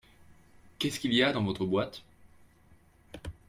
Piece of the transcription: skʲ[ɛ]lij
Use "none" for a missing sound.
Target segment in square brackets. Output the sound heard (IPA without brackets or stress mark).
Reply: i